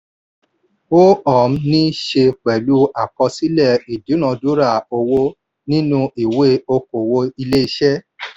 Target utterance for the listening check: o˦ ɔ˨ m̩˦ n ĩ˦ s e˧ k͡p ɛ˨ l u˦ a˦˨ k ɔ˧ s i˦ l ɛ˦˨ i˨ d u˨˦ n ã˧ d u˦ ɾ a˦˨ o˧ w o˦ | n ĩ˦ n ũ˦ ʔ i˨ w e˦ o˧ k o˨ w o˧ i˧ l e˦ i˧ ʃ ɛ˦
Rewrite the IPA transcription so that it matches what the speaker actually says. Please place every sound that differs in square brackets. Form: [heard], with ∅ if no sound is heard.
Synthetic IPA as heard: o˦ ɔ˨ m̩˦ n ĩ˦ [ʃ] e˧ k͡p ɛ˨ l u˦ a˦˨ k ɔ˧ s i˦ l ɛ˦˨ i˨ d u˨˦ n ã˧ d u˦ ɾ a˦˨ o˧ w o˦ | n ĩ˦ n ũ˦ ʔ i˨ w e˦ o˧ k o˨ w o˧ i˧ l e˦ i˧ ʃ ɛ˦